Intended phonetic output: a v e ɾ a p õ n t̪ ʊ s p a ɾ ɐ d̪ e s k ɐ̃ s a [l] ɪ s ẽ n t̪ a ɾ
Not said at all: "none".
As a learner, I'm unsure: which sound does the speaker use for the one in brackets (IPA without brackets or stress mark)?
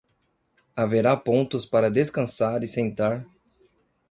ɾ